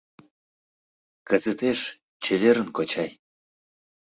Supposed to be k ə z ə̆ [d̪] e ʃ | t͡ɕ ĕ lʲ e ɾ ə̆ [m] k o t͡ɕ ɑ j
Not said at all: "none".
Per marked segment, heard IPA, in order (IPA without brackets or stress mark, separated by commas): t̪, n